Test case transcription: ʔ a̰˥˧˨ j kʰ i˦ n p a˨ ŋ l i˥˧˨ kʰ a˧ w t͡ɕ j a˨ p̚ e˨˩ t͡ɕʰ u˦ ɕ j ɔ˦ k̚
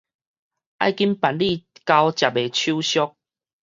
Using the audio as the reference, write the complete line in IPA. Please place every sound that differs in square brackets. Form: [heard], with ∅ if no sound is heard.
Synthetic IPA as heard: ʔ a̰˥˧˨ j [k] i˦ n p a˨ [n] l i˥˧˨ [k] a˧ w t͡ɕ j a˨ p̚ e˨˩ t͡ɕʰ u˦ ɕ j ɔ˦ k̚